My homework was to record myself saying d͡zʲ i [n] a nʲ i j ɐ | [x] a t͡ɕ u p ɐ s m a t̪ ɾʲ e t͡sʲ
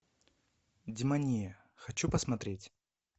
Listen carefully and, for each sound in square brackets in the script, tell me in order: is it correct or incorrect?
incorrect: m, correct

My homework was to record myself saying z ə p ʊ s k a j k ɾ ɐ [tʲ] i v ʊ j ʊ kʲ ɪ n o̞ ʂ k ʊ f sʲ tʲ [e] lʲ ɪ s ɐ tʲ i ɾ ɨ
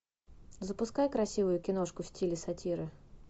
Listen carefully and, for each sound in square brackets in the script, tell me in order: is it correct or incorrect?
incorrect: sʲ, incorrect: i

